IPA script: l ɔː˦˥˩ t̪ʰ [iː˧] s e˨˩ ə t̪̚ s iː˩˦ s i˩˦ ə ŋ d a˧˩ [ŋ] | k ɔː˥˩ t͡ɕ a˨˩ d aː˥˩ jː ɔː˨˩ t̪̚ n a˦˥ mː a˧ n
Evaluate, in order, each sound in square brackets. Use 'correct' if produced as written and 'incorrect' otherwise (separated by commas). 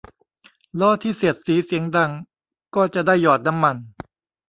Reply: incorrect, correct